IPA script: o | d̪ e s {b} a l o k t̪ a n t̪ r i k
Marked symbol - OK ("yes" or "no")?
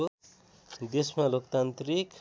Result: no